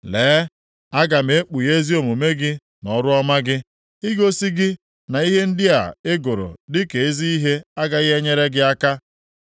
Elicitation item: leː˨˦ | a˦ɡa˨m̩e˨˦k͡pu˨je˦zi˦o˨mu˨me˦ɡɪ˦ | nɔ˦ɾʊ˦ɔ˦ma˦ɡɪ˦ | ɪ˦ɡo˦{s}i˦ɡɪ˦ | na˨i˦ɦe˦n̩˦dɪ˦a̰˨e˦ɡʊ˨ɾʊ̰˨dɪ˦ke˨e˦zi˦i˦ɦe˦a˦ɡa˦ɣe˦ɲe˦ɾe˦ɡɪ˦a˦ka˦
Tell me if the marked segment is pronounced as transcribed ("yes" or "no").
yes